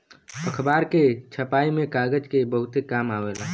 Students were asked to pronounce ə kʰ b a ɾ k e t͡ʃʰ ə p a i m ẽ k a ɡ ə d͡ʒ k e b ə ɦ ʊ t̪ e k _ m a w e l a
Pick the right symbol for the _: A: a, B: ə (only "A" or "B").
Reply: A